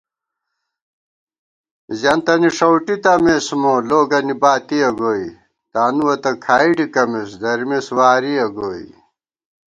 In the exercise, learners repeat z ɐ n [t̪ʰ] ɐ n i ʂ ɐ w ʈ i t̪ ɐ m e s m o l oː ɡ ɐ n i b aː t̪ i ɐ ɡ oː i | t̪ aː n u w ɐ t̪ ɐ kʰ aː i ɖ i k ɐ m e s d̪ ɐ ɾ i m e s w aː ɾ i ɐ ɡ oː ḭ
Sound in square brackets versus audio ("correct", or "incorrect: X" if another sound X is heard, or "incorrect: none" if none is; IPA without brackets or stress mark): incorrect: t̪